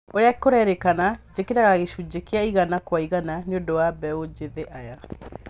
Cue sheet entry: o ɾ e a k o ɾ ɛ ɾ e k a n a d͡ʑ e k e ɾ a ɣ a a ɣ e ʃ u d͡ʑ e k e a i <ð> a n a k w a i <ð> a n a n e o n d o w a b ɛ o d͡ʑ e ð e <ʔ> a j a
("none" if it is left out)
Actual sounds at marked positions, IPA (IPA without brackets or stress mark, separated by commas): ɣ, ɣ, ʔ